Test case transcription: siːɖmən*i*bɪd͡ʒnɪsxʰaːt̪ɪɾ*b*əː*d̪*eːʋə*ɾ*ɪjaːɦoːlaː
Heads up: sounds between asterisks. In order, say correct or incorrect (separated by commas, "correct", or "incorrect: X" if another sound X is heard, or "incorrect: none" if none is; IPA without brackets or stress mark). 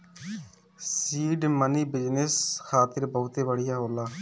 incorrect: iː, correct, incorrect: t̪, incorrect: ɽ